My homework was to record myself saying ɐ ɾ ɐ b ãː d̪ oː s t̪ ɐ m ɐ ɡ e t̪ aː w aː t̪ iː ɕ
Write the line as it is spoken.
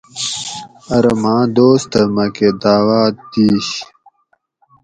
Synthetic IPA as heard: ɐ ɾ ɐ m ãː d̪ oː s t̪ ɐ m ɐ k e d̪ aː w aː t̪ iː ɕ